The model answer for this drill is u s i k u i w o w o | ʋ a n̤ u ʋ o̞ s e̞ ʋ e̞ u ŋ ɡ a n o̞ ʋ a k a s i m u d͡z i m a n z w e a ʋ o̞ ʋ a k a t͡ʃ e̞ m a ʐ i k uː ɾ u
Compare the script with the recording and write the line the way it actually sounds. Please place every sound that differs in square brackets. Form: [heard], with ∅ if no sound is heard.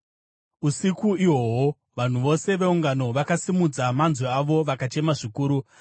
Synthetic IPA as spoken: u s i k u i w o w o | ʋ a n̤ u ʋ o̞ s e̞ ʋ e̞ u ŋ ɡ a n o̞ ʋ a k a s i m u d͡z [a] m a n z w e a ʋ o̞ ʋ a k a t͡ʃ e̞ m a ʐ i k uː ɾ u